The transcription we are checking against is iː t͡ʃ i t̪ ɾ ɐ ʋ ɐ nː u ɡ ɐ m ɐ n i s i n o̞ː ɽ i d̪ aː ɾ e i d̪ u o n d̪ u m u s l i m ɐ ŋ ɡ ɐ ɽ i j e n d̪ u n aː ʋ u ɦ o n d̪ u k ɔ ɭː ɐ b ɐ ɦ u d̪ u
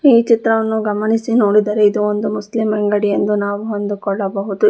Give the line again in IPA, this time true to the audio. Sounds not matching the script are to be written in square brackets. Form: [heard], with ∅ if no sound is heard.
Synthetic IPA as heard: iː t͡ʃ i t̪ ɾ ɐ ʋ ɐ nː u ɡ ɐ m ɐ n i s i n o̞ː ɽ i d̪ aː ɾ e i d̪ u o n d̪ u m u s l i m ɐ ŋ ɡ ɐ ɽ i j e n d̪ u n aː ʋ u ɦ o n d̪ u k ɔ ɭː ɐ b ɐ ɦ u d̪ u